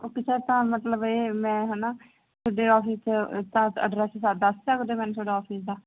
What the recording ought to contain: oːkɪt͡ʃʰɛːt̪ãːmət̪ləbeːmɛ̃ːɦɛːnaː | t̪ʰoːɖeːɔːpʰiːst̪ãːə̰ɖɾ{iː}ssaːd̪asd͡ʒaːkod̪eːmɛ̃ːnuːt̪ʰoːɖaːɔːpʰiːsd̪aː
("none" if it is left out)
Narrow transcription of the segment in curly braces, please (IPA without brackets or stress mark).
ɛː